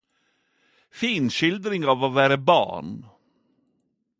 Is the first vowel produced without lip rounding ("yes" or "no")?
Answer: yes